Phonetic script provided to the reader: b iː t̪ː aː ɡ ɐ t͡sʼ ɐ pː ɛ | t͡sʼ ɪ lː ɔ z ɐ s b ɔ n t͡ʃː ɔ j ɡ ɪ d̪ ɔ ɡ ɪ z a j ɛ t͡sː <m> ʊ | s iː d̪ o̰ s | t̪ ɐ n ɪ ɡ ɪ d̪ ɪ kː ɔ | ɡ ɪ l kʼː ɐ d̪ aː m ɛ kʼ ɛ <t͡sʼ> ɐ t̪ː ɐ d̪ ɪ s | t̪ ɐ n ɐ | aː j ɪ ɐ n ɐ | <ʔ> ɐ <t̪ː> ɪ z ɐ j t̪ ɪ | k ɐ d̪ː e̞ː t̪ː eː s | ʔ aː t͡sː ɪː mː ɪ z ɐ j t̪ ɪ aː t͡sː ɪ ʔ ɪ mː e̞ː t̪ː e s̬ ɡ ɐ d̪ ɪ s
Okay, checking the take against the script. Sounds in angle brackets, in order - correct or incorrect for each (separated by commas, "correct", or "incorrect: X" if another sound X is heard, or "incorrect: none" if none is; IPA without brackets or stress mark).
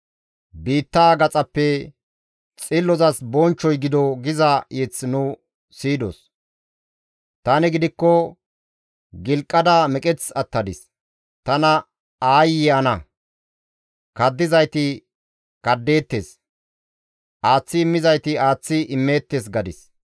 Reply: incorrect: n, incorrect: t͡s, incorrect: k, incorrect: d̪ː